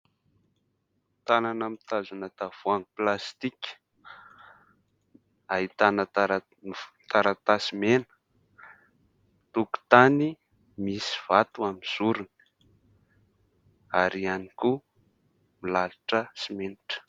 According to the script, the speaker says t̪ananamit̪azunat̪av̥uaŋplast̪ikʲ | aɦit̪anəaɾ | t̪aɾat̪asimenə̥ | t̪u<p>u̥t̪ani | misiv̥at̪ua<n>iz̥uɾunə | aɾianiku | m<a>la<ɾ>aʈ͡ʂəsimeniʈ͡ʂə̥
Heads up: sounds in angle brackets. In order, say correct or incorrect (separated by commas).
incorrect, incorrect, incorrect, incorrect